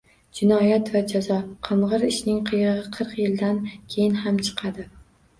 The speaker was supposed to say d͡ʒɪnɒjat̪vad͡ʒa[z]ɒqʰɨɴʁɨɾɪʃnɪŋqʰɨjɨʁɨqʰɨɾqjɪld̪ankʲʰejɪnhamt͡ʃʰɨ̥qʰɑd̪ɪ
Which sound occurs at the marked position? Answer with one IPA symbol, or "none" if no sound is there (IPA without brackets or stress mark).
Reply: z